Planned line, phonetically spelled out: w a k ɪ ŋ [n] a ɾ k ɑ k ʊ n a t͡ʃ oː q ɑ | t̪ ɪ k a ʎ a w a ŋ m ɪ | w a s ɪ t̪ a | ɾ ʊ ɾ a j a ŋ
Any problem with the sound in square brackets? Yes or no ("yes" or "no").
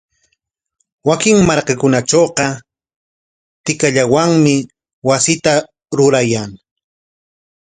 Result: yes